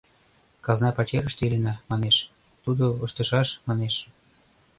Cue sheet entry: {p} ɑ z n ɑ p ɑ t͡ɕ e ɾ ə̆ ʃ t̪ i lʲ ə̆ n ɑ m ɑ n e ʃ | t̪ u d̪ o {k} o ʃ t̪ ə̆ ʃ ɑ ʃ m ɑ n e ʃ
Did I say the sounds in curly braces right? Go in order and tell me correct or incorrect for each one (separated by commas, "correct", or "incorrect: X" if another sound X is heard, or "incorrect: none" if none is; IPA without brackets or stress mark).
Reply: incorrect: k, incorrect: none